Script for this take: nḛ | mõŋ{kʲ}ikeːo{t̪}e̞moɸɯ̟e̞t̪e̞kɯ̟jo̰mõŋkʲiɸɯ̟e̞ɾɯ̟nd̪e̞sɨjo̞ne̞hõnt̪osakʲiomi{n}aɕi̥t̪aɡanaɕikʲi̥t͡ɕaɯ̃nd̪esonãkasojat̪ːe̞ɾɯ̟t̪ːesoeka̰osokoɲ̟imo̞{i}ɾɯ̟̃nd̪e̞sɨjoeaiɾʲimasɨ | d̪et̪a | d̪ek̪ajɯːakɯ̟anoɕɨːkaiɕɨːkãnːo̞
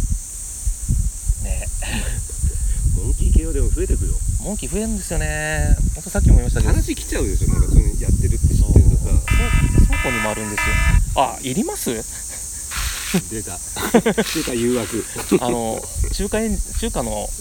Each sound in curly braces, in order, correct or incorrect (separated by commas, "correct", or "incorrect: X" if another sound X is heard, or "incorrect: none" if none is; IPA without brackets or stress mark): correct, incorrect: d̪, incorrect: m, incorrect: a